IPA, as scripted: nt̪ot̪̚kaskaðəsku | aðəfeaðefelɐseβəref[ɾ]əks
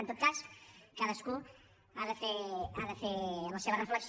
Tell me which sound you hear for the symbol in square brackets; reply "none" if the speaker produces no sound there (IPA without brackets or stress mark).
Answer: l